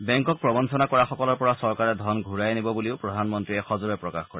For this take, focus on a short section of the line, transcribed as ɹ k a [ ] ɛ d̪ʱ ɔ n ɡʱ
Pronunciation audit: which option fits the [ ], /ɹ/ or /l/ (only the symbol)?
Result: ɹ